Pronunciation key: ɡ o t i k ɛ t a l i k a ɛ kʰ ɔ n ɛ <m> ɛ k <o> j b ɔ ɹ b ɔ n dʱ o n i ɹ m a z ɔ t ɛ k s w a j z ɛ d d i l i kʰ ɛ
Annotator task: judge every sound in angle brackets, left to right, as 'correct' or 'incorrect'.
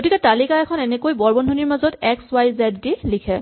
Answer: incorrect, correct

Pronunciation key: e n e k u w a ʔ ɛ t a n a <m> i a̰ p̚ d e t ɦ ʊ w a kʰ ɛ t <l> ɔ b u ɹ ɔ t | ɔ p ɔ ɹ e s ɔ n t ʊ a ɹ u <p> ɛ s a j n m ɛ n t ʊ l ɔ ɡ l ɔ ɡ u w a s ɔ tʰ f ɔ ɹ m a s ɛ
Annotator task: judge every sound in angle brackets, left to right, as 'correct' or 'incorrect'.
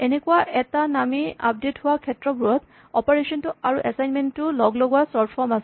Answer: correct, incorrect, incorrect

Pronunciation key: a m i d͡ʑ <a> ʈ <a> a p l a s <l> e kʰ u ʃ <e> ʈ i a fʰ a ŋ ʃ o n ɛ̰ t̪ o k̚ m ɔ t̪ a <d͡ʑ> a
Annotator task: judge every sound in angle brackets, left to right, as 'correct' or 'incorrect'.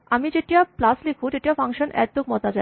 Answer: incorrect, incorrect, correct, correct, correct

